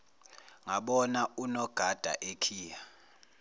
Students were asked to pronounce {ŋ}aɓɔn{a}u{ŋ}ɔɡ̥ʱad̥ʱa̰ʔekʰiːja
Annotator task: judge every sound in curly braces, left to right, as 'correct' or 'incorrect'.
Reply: correct, correct, incorrect

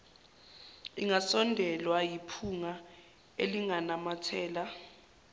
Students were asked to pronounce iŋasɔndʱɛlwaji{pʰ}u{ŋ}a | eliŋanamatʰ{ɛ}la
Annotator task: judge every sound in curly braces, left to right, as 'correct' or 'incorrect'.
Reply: correct, correct, incorrect

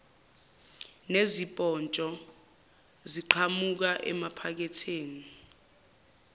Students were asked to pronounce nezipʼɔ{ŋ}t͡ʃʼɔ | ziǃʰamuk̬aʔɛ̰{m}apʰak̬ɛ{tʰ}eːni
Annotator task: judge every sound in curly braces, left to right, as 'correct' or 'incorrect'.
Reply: incorrect, correct, correct

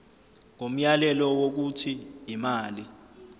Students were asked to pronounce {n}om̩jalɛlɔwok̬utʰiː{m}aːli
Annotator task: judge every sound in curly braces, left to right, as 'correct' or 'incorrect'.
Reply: incorrect, correct

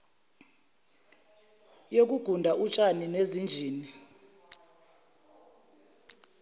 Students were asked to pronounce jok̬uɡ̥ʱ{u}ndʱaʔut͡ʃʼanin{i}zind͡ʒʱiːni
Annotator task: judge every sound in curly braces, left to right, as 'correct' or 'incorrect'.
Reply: correct, incorrect

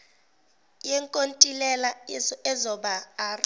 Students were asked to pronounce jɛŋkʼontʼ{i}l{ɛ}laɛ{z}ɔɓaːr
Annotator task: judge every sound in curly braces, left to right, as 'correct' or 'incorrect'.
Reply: correct, correct, correct

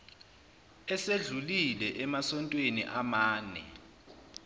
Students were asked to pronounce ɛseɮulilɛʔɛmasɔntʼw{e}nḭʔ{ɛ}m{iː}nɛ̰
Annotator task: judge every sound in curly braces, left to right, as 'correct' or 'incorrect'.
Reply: correct, incorrect, incorrect

